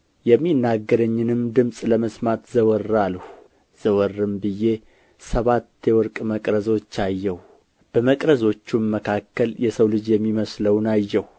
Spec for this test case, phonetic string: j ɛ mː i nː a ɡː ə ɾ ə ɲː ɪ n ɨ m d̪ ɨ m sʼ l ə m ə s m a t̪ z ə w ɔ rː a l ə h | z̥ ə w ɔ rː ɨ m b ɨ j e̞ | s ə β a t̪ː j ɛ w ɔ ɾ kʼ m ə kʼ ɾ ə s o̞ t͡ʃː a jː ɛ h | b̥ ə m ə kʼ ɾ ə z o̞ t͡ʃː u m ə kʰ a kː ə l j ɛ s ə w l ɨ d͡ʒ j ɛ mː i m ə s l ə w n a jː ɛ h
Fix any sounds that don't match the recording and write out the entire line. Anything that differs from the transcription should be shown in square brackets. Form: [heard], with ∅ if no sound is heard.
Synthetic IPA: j ɛ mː i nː a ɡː ə ɾ ə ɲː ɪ n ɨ m d̪ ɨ m sʼ l ə m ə s m a t̪ z ə w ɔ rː a l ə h | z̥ ə w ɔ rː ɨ m b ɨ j e̞ | s ə β a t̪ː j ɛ w ɔ ɾ kʼ m ə kʼ ɾ ə [z] o̞ t͡ʃː a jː ɛ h | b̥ ə m ə kʼ ɾ ə z o̞ t͡ʃː u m ə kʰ a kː ə l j ɛ s ə w l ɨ d͡ʒ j ɛ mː i m ə s l ə w n a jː ɛ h